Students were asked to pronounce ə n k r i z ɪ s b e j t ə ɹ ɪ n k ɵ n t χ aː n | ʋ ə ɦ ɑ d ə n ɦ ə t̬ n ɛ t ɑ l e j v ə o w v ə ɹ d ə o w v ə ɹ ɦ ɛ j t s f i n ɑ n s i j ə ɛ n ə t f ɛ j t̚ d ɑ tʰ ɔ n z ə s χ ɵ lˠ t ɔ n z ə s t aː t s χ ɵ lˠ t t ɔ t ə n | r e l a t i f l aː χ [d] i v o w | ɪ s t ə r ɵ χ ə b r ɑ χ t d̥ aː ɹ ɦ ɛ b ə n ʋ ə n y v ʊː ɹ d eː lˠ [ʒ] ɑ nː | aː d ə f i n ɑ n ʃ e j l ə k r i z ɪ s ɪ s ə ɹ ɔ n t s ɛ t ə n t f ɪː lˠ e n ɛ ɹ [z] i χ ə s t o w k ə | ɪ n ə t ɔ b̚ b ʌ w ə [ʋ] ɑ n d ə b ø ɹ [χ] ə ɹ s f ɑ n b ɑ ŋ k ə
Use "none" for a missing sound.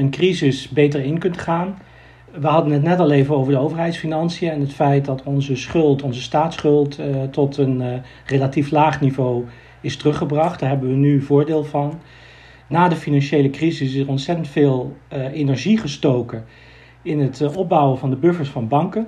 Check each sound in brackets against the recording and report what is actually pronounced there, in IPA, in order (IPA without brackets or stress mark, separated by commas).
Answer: n, v, ʒ, v, f